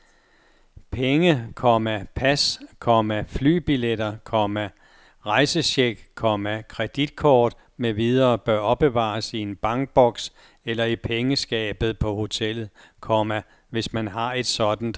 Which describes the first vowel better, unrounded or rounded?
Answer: unrounded